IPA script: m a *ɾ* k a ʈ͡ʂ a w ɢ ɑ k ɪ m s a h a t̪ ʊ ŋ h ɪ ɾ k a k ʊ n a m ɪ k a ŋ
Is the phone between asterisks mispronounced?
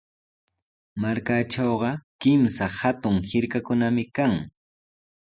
no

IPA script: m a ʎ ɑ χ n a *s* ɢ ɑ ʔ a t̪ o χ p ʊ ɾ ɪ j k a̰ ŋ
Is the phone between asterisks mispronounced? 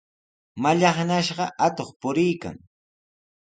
yes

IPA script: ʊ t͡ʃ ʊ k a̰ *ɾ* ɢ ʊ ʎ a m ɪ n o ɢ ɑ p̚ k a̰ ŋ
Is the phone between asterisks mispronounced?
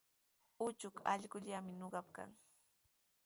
yes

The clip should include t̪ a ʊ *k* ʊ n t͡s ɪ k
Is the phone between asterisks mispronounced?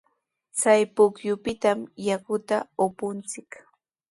yes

